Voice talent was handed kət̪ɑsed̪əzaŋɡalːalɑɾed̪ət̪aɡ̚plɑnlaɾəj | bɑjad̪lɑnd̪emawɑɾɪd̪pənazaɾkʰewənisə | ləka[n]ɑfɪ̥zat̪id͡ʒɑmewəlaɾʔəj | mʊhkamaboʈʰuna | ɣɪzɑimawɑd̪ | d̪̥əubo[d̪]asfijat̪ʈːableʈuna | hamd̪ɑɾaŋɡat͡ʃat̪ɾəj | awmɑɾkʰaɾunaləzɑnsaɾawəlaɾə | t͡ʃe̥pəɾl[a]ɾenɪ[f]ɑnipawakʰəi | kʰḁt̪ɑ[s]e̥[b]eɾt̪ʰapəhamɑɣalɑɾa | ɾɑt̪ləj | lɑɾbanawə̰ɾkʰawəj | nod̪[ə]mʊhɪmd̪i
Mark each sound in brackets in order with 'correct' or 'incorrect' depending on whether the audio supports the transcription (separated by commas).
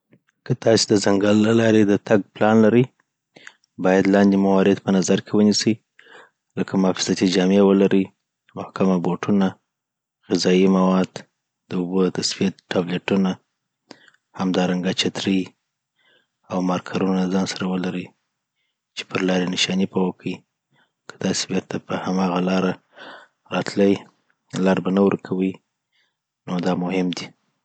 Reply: incorrect, incorrect, incorrect, incorrect, correct, correct, incorrect